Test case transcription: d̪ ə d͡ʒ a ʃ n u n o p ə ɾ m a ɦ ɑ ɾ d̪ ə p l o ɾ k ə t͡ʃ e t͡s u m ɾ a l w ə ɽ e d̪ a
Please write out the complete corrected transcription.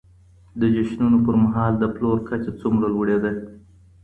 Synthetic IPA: d̪ ə d͡ʒ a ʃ n u n o p ə ɾ m a ɦ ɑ l d̪ ə p l o ɾ k a t͡ʃ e t͡s u m ɾ a l w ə ɽ e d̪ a